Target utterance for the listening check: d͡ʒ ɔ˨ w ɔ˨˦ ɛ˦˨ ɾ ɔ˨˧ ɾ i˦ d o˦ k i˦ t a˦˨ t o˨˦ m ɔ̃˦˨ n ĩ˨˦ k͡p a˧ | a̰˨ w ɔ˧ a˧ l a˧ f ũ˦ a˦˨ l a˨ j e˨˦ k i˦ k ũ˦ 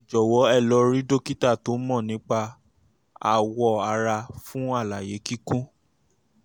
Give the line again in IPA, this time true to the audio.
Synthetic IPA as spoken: d͡ʒ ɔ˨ w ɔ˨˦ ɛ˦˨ l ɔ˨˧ ɾ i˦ d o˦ k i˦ t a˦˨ t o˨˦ m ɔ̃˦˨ n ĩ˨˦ k͡p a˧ | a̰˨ w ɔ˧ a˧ ɾ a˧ f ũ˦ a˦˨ l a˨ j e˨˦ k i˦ k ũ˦

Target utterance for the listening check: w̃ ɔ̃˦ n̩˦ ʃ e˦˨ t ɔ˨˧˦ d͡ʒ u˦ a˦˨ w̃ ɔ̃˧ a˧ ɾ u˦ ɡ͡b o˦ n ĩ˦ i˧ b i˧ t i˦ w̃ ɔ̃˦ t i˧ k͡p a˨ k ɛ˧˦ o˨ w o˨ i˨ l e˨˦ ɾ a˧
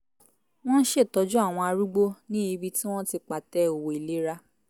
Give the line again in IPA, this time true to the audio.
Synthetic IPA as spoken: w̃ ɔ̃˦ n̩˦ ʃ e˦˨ t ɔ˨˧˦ d͡ʒ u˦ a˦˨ w̃ ɔ̃˧ a˧ ɾ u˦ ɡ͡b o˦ n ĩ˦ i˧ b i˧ t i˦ w̃ ɔ̃˦ t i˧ k͡p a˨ t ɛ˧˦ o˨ w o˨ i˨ l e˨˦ ɾ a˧

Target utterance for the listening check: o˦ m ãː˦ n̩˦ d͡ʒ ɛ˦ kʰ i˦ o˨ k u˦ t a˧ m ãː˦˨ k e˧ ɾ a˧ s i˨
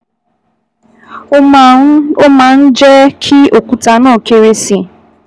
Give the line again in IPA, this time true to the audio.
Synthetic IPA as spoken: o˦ m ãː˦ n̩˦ d͡ʒ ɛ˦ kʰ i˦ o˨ k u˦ t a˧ n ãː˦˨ k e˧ ɾ e˧ s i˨

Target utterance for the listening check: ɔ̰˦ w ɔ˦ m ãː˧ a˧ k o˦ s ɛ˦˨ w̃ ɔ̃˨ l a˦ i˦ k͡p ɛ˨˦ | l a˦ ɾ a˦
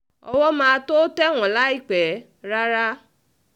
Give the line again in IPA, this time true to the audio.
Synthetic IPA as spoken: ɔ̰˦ w ɔ˦ m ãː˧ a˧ t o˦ t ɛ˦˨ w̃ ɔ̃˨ l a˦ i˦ k͡p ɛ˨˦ | ɾ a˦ ɾ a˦

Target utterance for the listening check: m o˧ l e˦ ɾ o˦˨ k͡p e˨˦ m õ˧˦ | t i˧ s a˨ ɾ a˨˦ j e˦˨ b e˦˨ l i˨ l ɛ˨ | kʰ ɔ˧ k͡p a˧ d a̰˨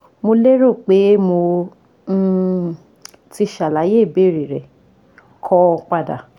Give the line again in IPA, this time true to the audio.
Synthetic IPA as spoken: m o˧ l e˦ ɾ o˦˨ k͡p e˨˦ m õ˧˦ | t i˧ ʃ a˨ l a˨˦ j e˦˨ b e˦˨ ɾ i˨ ɾ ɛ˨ | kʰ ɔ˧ k͡p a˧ d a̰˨

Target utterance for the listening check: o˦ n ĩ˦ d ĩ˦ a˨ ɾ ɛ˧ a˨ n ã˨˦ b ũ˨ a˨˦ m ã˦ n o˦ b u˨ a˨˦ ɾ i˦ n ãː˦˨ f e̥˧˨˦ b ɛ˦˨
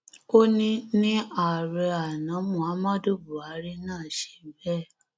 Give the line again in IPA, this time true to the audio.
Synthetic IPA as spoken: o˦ n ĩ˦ n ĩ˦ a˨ ɾ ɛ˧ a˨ n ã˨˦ m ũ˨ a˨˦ m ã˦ d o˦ b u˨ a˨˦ ɾ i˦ n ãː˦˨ ʃ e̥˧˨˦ b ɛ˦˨

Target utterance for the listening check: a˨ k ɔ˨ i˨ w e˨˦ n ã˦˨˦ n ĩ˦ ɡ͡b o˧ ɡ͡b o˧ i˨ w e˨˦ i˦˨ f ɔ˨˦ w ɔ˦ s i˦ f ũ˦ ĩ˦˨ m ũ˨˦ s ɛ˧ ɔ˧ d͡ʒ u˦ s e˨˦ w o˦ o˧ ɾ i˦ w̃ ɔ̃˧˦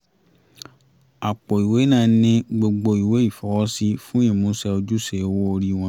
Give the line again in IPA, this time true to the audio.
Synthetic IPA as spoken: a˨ k͡p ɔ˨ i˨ w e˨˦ n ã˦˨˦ n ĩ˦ ɡ͡b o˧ ɡ͡b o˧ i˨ w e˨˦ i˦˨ f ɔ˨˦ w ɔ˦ s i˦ f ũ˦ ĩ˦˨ m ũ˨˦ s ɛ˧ o˧ d͡ʒ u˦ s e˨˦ w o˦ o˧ ɾ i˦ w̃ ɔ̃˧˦

